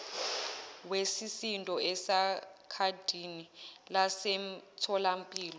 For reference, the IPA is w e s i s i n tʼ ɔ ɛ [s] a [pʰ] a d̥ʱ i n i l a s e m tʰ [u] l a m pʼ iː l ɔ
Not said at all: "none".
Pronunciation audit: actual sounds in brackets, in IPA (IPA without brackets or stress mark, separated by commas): s, kʰ, ɔ